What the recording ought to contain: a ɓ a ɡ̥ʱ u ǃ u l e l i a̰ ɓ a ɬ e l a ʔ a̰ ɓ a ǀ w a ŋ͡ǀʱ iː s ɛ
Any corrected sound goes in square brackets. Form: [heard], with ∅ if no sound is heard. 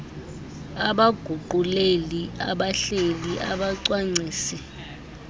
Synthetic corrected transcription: a ɓ a ɡ̥ʱ u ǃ u l e l i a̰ ɓ a ɬ e l [i] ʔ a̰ ɓ a ǀ w a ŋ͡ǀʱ iː s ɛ